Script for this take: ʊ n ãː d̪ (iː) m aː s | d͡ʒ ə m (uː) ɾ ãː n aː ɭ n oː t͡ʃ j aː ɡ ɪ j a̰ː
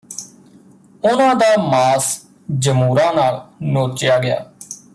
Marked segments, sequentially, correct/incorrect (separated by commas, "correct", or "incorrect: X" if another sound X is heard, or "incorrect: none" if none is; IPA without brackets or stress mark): incorrect: aː, correct